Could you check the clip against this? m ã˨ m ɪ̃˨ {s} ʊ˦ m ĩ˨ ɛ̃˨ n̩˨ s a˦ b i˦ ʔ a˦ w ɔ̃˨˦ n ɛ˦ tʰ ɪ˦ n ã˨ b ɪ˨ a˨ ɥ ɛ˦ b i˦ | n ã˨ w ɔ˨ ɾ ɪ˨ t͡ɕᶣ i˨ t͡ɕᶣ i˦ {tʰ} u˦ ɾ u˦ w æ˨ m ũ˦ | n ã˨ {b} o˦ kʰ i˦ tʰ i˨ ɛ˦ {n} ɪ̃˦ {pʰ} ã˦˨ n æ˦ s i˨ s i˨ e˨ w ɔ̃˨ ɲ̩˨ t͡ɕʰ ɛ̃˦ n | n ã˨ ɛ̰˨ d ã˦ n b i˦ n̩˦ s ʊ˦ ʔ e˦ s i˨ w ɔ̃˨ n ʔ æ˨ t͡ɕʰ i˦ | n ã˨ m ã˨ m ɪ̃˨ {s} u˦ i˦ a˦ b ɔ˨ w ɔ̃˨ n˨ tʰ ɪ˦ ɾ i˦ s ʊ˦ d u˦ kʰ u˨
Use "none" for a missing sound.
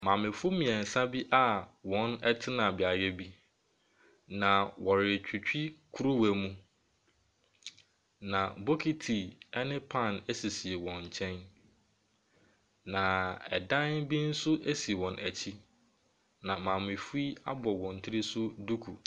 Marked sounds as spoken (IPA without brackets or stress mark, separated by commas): f, kʰ, b, n, pʰ, f